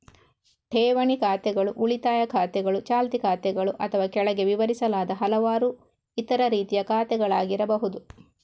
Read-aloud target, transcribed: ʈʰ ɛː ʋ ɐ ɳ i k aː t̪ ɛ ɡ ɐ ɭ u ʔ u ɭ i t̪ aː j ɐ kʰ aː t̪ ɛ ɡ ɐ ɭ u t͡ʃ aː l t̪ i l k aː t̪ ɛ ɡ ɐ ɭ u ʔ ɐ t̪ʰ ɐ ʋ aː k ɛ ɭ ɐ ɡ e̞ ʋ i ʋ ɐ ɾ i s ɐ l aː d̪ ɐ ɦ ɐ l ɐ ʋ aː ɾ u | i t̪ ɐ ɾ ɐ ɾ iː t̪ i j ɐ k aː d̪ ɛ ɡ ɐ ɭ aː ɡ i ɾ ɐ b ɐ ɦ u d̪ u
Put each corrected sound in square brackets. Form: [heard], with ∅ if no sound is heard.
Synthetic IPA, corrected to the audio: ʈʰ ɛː ʋ ɐ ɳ i k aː t̪ ɛ ɡ ɐ ɭ u ʔ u ɭ i t̪ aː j ɐ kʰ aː t̪ ɛ ɡ ɐ ɭ u t͡ʃ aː l t̪ i [∅] k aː t̪ ɛ ɡ ɐ ɭ u ʔ ɐ t̪ʰ ɐ ʋ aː k ɛ ɭ ɐ ɡ e̞ ʋ i ʋ ɐ ɾ i s ɐ l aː d̪ ɐ ɦ ɐ l ɐ ʋ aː ɾ u | i t̪ ɐ ɾ ɐ ɾ iː t̪ i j ɐ k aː [t̪] ɛ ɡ ɐ ɭ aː ɡ i ɾ ɐ b ɐ ɦ u d̪ u